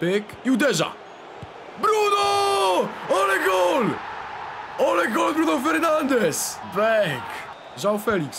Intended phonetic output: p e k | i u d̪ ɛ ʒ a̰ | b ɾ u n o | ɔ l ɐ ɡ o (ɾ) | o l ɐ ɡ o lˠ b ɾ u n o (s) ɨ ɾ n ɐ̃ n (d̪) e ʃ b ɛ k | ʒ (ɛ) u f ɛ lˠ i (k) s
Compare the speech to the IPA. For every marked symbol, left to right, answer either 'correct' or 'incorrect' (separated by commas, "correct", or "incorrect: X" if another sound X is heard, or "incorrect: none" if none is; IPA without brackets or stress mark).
incorrect: l, incorrect: f, correct, incorrect: a, correct